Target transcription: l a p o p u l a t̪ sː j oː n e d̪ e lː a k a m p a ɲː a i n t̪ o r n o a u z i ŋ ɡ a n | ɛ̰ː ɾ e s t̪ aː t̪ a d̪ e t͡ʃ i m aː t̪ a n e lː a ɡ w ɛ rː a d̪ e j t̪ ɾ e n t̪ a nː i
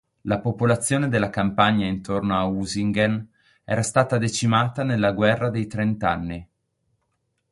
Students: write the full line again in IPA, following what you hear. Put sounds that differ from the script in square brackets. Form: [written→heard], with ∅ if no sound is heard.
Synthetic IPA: l a p o p [u→o] l a t̪ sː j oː n e d̪ e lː a k a m p a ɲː a i n t̪ o r n o a u z i ŋ ɡ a n | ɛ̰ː ɾ [e→a] s t̪ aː t̪ a d̪ e t͡ʃ i m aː t̪ a n e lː a ɡ w ɛ rː a d̪ e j t̪ ɾ e n t̪ a nː i